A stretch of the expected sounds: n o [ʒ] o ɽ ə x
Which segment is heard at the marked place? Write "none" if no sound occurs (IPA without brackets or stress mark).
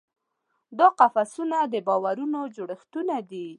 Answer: d͡ʒ